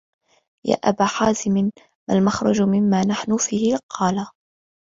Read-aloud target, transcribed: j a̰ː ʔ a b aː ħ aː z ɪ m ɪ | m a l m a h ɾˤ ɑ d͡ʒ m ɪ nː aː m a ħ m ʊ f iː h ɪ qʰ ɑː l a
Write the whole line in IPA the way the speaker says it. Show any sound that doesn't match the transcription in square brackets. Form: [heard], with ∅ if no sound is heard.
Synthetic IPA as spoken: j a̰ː ʔ a b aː ħ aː z ɪ m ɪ | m a l m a [x] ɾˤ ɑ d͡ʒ m ɪ [mː] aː [n] a ħ [n] ʊ f iː h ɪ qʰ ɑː l a